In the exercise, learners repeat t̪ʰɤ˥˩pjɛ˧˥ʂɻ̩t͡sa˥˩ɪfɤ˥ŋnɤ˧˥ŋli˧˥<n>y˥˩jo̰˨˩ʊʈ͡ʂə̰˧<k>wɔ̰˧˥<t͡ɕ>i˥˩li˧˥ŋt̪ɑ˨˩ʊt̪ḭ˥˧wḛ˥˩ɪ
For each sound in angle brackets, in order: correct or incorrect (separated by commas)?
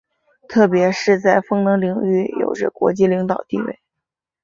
incorrect, correct, correct